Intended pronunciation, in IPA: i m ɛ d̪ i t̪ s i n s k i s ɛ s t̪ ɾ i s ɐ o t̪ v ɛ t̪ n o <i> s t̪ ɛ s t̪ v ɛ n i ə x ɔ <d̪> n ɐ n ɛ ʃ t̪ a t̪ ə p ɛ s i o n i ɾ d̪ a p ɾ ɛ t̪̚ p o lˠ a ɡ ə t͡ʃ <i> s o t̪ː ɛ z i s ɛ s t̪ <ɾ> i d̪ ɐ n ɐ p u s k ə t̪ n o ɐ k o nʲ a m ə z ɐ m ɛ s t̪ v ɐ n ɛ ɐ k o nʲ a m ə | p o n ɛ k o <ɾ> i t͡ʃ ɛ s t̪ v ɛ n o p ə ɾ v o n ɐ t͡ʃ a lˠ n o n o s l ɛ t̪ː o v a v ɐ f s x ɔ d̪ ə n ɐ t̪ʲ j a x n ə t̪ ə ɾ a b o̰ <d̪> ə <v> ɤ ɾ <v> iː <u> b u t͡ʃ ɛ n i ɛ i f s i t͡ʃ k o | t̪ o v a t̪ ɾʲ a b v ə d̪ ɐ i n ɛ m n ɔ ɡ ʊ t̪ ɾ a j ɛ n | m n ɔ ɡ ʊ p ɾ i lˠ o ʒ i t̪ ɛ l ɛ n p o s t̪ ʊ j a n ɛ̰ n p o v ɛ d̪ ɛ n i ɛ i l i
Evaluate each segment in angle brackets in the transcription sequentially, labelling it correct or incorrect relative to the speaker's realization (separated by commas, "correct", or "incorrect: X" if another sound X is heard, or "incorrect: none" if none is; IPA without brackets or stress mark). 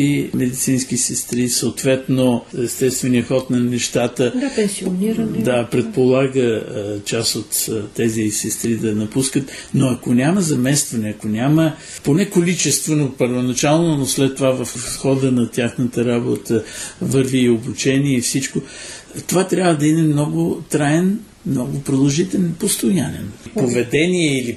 incorrect: ɛ, incorrect: t̪, incorrect: a, correct, incorrect: l, incorrect: t̪, correct, correct, incorrect: o